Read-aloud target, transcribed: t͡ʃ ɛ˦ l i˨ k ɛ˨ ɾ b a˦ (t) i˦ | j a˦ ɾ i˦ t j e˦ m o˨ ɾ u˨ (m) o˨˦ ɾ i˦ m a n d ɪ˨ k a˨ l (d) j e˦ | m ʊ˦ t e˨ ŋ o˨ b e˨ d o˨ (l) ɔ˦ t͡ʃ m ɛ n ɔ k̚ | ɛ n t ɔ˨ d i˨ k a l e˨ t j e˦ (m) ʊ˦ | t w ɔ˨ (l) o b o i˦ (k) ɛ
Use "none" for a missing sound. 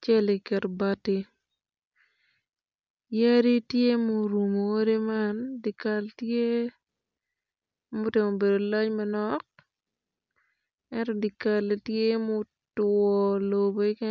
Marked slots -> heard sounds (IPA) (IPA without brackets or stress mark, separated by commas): t, m, t, l, m, l, k